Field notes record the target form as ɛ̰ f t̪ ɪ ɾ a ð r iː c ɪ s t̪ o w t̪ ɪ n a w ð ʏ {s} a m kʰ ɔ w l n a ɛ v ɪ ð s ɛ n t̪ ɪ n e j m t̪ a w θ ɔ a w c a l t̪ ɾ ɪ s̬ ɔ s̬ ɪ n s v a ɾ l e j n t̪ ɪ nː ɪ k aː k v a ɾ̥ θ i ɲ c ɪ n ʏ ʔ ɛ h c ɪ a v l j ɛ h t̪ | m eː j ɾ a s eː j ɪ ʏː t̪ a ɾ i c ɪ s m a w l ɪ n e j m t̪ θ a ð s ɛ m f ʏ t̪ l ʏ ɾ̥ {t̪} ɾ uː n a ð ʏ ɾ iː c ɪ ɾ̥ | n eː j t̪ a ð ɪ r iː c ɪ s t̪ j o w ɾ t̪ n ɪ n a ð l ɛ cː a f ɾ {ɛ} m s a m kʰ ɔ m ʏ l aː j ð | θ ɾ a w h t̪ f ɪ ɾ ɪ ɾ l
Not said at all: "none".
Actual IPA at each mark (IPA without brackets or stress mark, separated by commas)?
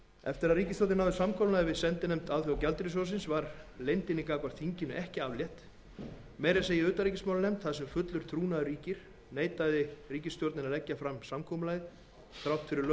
s, t̪ʰ, a